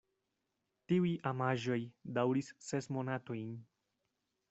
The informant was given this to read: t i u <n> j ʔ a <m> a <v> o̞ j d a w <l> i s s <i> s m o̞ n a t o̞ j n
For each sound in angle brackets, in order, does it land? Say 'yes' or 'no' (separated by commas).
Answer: no, yes, no, no, no